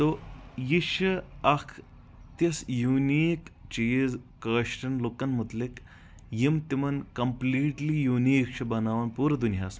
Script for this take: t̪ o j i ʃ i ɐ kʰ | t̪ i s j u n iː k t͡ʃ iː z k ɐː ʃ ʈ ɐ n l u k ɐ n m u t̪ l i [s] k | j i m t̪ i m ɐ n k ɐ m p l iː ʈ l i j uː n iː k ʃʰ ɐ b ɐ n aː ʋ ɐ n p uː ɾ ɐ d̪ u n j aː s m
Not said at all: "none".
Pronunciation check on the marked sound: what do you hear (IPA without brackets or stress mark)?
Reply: none